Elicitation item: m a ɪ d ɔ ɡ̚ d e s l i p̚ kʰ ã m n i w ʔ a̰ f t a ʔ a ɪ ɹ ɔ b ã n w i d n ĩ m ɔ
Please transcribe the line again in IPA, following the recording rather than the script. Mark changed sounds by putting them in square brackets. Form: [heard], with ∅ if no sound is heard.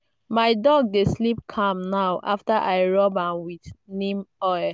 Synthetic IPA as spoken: m a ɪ d ɔ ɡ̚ d e s l i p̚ kʰ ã m n [a] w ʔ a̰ f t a ʔ a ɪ ɹ ɔ b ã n w i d n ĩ m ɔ